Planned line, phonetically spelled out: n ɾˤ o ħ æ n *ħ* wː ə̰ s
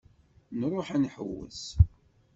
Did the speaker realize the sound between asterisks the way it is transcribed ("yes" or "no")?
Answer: yes